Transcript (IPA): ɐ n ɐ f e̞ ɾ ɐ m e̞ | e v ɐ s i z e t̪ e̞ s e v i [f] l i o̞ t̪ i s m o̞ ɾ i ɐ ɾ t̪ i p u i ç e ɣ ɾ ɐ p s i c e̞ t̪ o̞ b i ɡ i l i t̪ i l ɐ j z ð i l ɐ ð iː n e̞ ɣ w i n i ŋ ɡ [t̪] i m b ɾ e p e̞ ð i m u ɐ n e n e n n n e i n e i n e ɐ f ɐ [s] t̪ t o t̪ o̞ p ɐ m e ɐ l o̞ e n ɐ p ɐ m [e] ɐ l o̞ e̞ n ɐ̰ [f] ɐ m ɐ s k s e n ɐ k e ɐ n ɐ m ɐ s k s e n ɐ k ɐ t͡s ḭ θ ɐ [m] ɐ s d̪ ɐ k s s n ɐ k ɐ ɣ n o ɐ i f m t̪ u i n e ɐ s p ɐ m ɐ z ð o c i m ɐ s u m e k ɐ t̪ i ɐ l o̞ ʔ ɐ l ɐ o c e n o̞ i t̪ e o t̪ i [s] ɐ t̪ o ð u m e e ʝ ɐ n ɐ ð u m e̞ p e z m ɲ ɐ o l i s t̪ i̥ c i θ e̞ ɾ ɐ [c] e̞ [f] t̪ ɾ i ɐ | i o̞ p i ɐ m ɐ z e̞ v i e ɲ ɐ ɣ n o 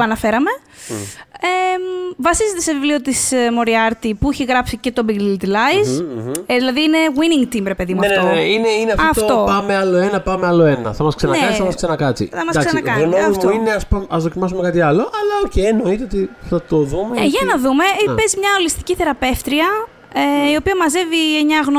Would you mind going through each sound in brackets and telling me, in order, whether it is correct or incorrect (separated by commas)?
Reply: incorrect, correct, incorrect, correct, incorrect, correct, incorrect, incorrect, correct